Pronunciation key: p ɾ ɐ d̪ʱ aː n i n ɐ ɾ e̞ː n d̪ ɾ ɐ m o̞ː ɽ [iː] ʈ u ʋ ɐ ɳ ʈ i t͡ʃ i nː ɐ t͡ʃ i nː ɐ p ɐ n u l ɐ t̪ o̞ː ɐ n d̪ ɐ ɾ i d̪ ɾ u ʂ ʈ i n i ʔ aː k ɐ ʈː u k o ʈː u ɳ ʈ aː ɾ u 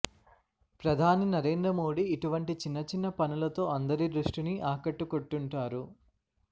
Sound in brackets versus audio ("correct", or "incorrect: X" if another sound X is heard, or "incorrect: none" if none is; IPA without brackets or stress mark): correct